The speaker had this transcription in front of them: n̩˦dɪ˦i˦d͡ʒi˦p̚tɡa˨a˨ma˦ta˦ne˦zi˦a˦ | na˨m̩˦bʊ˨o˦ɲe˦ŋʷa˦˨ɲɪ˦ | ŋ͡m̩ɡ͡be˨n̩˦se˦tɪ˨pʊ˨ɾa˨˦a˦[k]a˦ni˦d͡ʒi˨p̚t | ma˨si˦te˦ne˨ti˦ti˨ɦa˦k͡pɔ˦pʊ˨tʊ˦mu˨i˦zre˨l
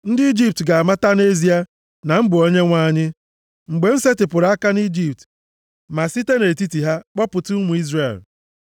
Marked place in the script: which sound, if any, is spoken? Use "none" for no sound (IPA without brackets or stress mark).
k